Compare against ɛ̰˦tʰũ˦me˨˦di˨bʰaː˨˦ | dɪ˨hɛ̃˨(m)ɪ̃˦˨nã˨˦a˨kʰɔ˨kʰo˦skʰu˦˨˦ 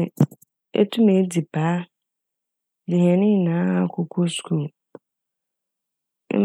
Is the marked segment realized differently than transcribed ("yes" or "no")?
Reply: yes